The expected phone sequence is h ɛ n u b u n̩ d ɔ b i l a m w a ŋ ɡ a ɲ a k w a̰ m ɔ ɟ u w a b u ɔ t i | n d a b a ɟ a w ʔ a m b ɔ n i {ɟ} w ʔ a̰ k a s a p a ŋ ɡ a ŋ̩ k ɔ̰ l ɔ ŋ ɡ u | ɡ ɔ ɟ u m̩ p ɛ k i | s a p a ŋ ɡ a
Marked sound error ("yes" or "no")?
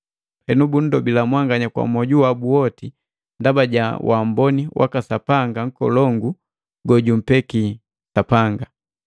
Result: yes